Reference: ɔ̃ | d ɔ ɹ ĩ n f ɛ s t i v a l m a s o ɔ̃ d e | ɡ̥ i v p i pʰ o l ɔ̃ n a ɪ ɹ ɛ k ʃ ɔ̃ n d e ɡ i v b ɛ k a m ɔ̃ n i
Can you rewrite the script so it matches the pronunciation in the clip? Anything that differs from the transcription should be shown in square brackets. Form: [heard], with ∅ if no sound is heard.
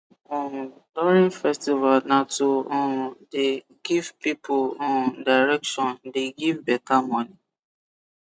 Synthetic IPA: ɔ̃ | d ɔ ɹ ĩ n f ɛ s t i v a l [n] a [t] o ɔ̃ d e | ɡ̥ i v p i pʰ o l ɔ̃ [d] a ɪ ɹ ɛ k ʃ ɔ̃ n d e ɡ i v b ɛ k a m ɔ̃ n i